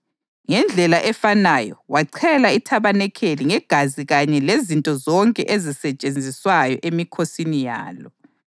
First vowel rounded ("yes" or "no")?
no